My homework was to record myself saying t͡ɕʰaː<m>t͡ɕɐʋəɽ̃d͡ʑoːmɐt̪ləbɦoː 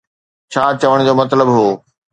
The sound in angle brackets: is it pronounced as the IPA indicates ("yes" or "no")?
no